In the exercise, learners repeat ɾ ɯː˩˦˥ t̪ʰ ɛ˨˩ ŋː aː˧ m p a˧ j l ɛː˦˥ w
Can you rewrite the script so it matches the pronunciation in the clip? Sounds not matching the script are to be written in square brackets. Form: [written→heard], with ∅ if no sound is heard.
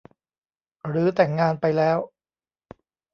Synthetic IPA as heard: ɾ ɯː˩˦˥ [t̪ʰ→t̪] ɛ˨˩ ŋː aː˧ [m→n] p a˧ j l ɛː˦˥ w